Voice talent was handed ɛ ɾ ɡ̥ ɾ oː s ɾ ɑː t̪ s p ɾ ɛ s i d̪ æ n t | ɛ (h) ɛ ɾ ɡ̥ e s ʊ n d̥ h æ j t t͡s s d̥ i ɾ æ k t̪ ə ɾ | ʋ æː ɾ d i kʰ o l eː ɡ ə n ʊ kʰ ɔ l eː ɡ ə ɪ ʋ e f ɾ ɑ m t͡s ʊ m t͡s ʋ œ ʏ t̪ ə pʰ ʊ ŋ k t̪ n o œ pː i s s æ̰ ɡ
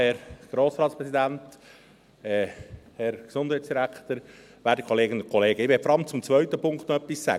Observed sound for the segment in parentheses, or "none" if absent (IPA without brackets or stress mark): h